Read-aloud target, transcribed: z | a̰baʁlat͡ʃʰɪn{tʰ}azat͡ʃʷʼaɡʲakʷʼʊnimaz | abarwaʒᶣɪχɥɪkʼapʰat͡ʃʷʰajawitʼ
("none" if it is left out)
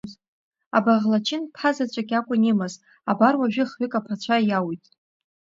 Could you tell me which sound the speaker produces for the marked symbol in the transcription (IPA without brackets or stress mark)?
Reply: pʰ